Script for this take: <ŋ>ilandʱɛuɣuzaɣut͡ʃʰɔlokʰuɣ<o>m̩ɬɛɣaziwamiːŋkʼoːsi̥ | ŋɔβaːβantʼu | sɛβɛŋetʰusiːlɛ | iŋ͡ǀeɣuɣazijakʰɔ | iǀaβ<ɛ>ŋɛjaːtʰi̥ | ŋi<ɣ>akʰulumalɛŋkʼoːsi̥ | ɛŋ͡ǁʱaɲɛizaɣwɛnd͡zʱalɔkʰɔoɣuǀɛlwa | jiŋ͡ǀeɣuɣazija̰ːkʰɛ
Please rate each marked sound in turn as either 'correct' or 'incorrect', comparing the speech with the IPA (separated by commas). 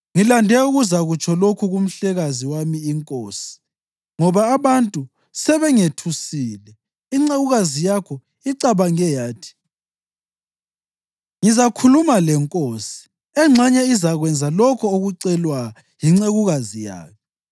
correct, incorrect, incorrect, incorrect